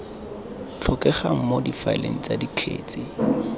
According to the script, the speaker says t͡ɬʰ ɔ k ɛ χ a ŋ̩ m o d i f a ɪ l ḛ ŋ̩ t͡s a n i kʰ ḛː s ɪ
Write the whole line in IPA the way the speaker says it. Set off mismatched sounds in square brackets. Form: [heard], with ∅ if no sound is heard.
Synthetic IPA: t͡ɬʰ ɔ k ɛ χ a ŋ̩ m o d i f a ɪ l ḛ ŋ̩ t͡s a [d] i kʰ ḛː [t͡s] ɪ